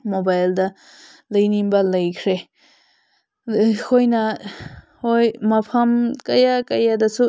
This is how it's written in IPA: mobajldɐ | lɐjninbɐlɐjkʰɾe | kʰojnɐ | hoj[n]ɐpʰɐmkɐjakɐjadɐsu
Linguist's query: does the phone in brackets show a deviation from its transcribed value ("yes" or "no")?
yes